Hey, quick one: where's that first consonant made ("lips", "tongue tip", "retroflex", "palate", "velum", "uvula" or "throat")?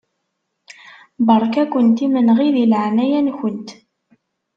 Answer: lips